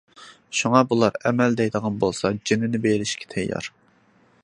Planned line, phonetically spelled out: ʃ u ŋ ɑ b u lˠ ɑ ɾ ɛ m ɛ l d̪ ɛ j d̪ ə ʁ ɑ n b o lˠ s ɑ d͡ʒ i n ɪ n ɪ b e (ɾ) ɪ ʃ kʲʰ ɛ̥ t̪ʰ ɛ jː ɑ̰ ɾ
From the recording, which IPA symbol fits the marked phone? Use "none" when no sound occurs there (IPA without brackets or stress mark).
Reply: l